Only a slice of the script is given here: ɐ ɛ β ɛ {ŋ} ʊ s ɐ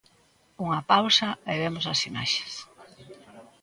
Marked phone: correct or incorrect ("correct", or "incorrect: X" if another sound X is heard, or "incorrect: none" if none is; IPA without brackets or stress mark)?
incorrect: m